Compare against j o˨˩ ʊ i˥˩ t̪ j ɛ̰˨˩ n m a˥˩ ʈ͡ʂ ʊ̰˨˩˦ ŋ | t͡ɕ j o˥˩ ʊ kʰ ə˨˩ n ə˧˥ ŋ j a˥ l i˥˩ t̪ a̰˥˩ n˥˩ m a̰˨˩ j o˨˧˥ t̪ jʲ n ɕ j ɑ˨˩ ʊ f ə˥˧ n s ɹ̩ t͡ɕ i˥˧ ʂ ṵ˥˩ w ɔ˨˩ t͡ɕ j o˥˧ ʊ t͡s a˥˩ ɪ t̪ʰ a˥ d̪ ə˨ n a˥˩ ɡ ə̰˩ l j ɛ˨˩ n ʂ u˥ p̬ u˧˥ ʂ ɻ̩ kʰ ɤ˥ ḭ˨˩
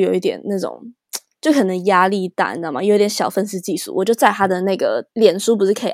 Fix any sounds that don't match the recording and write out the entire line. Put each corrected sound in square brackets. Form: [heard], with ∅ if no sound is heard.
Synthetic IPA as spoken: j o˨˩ ʊ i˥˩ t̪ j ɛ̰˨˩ n [n] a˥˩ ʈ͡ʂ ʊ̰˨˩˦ ŋ | t͡ɕ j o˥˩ ʊ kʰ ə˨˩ n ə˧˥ ŋ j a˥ l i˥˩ t̪ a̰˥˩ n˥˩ m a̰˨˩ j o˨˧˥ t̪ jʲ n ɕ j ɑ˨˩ ʊ f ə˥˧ n s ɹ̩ t͡ɕ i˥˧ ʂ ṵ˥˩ w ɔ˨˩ t͡ɕ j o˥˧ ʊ t͡s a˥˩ ɪ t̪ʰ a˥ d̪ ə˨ n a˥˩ ɡ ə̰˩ l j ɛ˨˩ n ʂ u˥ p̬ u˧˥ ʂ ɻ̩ kʰ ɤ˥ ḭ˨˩